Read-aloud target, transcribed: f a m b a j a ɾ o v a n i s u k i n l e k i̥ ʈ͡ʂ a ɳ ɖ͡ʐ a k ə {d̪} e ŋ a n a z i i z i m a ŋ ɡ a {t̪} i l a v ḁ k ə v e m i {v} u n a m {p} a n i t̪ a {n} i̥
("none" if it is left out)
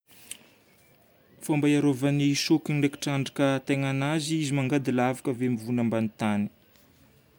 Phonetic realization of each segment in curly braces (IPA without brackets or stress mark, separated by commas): t̪, d̪, v, b, n